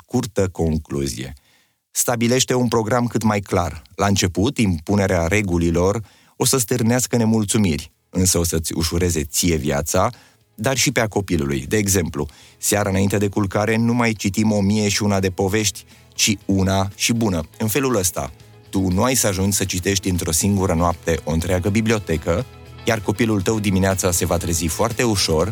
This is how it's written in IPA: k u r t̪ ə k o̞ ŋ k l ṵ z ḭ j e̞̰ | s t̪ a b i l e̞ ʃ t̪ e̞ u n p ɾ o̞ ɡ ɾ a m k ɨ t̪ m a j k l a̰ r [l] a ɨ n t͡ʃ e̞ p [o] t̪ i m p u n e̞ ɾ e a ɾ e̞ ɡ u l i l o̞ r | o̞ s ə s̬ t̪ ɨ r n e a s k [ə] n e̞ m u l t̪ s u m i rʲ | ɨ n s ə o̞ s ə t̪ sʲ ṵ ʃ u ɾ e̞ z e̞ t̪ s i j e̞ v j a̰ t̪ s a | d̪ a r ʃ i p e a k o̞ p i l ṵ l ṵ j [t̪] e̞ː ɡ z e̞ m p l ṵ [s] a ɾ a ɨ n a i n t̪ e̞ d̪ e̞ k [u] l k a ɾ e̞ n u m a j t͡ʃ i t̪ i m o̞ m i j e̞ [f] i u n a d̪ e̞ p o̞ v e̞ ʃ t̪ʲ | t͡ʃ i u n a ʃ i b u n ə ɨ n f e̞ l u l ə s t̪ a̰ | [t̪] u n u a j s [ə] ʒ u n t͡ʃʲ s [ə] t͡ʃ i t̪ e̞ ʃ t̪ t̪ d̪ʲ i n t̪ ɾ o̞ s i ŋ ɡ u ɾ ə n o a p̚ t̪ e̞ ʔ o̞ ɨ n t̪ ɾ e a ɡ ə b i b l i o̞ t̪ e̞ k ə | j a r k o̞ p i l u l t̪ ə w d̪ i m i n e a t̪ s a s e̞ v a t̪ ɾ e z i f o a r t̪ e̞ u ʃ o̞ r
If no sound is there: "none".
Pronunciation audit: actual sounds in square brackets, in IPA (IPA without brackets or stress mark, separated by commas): l, u, ə, d̪, s, u, ʃ, t̪, a, ə